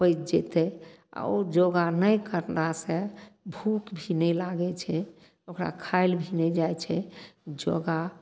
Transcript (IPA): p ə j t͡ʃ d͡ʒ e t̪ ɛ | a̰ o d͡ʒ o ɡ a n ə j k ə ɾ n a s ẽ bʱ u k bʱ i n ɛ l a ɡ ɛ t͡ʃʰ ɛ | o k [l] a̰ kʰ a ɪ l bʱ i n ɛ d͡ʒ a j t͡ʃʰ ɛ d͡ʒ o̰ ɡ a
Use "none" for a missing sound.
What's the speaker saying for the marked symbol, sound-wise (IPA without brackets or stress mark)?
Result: ɾ